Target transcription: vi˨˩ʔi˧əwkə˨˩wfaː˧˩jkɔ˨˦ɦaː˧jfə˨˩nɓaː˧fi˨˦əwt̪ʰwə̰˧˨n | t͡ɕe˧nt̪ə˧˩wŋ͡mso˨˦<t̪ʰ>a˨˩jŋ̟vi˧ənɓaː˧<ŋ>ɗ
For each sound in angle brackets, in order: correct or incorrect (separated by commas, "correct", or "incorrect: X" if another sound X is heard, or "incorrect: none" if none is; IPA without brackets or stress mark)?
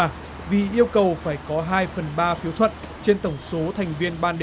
correct, incorrect: n